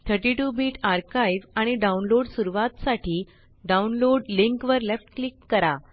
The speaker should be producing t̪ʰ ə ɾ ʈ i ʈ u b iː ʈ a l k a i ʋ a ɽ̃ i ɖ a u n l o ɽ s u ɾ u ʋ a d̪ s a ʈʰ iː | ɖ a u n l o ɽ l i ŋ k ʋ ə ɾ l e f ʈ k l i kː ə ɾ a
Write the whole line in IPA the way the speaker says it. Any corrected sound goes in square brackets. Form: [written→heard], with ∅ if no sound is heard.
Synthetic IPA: t̪ʰ ə ɾ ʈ i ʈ u b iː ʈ a [l→ɾ] k a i ʋ a ɽ̃ i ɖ a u n l o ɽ s u ɾ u ʋ a [d̪→t̪] s a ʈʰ iː | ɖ a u n l o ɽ l i ŋ k ʋ ə ɾ l e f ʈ k l i kː ə ɾ a